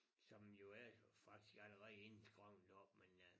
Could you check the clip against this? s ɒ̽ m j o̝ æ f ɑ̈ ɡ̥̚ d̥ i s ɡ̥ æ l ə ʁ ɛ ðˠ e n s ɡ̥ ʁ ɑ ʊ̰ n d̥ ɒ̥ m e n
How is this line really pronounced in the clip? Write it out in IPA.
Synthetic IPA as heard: s ɒ̽ m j o̝ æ f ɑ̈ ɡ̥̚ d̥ i s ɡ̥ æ l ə ʁ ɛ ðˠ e n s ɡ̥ ʁ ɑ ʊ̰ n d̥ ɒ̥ m e n